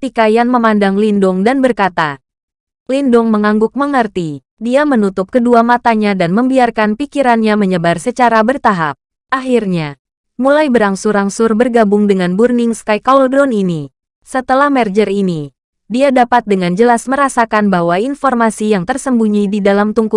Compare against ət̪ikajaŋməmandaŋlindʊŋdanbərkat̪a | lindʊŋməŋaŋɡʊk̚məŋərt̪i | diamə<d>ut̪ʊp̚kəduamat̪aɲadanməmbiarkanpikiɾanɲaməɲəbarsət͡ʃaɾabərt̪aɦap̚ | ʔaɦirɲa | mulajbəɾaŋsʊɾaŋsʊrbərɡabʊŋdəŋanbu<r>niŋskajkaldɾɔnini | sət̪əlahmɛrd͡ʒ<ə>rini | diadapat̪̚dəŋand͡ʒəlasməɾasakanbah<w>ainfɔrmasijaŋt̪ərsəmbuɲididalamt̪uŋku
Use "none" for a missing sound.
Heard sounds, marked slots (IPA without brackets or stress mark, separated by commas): n, r, ə, w